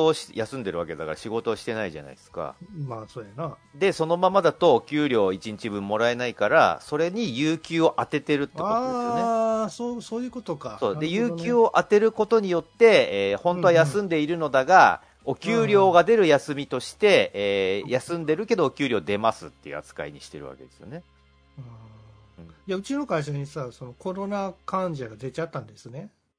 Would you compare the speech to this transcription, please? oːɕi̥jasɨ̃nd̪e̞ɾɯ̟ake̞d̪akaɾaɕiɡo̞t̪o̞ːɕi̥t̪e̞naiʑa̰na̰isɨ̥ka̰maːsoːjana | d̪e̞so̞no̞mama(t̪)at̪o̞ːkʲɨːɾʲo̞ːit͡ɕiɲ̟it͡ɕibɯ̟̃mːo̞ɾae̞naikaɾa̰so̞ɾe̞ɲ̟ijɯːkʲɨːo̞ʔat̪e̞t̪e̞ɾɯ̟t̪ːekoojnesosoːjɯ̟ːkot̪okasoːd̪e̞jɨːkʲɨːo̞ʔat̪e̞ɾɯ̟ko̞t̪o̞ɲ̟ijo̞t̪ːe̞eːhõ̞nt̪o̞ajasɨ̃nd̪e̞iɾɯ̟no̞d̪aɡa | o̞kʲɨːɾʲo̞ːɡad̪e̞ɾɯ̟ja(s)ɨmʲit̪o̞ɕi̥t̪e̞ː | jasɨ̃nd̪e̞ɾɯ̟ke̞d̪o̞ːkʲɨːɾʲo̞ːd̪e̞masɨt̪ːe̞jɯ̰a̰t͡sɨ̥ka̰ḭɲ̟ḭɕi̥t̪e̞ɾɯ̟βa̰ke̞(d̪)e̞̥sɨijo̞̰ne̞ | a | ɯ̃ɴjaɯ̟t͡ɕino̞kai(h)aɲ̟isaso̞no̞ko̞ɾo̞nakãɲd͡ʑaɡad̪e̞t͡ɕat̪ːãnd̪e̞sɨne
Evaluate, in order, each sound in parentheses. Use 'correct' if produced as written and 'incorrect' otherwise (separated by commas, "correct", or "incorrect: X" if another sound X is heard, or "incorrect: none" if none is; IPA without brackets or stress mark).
incorrect: d̪, correct, correct, incorrect: ɕ